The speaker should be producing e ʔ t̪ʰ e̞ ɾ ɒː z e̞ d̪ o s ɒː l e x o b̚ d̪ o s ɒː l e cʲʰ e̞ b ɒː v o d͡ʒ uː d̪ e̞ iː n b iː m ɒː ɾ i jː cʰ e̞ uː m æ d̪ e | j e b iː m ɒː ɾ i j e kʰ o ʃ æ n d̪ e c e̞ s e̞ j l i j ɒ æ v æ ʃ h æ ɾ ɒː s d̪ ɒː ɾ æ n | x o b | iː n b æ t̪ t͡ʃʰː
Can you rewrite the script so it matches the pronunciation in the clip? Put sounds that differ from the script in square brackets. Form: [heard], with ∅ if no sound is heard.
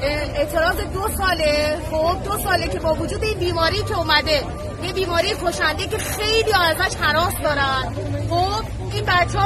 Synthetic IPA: e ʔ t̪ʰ e̞ ɾ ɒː z e̞ d̪ o s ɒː l e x o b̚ d̪ o s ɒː l e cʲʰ e̞ b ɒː v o d͡ʒ uː d̪ e̞ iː n b iː m ɒː ɾ i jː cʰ e̞ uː m æ d̪ e | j e b iː m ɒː ɾ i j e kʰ o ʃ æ n d̪ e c e̞ [x] e̞ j l i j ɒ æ [z] æ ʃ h æ ɾ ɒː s d̪ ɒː ɾ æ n | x o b | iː n b æ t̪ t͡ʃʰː